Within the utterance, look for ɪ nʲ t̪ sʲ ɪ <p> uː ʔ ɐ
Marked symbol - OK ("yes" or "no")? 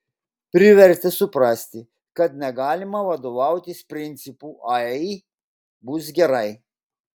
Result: yes